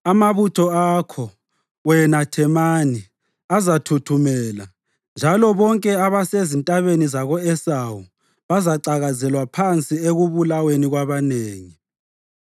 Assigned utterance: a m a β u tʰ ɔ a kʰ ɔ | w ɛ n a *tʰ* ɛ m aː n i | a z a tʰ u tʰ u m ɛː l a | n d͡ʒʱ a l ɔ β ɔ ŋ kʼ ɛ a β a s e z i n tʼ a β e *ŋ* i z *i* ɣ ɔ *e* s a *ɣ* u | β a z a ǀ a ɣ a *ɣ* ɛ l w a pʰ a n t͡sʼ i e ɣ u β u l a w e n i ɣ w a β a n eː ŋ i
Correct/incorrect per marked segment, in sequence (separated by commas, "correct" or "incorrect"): correct, incorrect, incorrect, incorrect, incorrect, incorrect